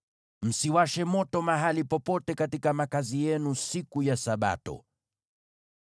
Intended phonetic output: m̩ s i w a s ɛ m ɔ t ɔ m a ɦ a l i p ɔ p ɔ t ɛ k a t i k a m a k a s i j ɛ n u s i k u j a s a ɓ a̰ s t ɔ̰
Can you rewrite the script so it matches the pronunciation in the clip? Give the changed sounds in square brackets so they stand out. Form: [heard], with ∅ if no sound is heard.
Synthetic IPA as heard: m̩ s i w a [ʃ] ɛ m ɔ t ɔ m a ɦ a l i p ɔ p ɔ t ɛ k a t i k a m a k a [z] i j ɛ n u s i k u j a s a ɓ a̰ [∅] t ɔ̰